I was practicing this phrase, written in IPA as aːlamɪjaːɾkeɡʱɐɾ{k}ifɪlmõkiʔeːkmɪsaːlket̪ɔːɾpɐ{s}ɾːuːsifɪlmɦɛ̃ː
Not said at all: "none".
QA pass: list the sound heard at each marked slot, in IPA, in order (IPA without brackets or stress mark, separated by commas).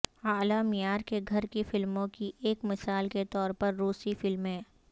k, none